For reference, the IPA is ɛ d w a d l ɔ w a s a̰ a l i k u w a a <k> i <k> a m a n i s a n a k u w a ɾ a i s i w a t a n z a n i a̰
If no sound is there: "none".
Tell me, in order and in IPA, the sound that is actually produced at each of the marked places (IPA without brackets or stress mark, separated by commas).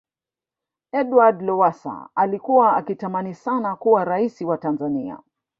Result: k, t